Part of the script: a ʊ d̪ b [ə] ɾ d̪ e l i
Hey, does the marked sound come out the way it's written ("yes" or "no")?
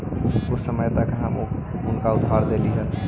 no